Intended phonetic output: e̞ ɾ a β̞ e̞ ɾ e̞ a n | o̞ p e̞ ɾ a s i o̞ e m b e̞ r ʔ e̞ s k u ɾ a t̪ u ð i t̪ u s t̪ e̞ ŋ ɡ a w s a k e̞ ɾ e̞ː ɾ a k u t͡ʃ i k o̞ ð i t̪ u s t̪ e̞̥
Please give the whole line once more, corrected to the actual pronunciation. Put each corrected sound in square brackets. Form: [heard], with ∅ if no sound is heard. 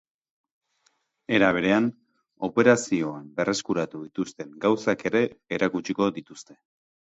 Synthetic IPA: e̞ ɾ a β̞ e̞ ɾ e̞ a n | o̞ p e̞ ɾ a s i o̞ [a] m b e̞ r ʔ e̞ s k u ɾ a t̪ u ð i t̪ u s t̪ e̞ ŋ ɡ a w s a k e̞ ɾ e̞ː ɾ a k u t͡ʃ i k o̞ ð i t̪ u s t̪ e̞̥